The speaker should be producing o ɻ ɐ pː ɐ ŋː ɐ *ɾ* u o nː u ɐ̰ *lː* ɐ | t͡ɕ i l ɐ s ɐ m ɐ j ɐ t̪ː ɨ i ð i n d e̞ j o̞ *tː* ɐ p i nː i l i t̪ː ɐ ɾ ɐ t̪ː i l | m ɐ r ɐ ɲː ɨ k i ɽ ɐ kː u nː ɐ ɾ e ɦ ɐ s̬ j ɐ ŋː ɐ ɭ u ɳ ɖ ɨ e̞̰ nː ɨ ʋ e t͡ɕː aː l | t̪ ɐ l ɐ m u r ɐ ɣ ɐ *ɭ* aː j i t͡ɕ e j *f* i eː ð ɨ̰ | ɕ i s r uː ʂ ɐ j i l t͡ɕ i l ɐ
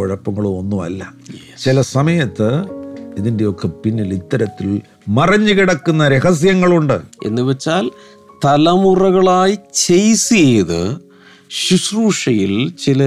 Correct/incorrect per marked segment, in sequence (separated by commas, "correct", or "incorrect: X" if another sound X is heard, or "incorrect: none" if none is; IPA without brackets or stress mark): incorrect: ɭ, correct, incorrect: kː, correct, incorrect: s